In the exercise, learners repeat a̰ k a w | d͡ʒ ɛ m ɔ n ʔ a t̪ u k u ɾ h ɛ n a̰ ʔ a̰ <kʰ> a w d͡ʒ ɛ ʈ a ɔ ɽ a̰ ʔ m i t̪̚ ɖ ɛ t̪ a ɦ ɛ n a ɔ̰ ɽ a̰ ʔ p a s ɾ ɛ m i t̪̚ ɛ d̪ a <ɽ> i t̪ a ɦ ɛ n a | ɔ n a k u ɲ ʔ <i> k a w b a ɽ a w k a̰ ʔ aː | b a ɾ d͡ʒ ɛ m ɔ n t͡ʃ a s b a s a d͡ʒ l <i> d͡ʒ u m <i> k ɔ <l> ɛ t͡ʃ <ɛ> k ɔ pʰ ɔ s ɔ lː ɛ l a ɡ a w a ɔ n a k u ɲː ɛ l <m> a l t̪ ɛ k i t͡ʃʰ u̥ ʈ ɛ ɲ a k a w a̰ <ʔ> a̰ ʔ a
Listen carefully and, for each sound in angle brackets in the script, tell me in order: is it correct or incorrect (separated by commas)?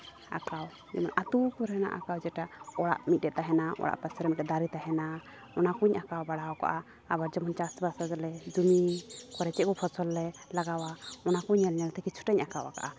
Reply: incorrect, incorrect, incorrect, incorrect, correct, incorrect, correct, incorrect, incorrect